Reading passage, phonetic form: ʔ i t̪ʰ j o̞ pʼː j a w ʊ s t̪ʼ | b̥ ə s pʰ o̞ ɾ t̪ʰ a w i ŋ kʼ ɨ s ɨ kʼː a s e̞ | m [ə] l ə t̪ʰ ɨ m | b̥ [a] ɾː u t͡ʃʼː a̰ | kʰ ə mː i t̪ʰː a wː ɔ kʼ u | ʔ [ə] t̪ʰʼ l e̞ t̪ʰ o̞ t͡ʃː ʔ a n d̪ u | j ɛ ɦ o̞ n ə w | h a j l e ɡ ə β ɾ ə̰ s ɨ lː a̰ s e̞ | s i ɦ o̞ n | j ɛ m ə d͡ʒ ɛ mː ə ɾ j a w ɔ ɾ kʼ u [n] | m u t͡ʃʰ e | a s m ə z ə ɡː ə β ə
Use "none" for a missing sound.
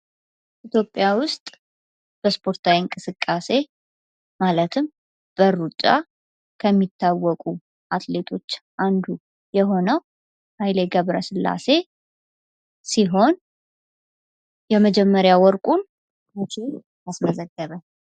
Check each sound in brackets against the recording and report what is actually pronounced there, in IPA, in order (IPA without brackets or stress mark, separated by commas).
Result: a, ə, a, n